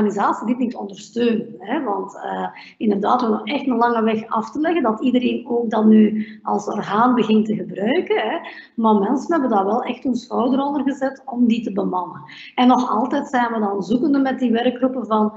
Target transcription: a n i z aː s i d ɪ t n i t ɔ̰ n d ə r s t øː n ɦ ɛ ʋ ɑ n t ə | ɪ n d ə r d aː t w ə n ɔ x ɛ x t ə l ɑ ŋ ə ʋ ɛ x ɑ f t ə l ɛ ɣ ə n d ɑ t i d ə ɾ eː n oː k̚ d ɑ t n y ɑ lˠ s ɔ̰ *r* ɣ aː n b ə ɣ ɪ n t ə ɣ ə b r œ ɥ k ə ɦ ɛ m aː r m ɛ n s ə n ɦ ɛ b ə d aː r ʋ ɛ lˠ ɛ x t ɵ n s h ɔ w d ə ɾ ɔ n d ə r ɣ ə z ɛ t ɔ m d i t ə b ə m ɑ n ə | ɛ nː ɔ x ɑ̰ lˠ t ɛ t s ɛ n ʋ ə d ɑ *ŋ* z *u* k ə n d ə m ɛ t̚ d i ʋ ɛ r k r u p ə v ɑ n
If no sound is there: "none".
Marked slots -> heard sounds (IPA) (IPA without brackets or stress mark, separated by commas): r, n, u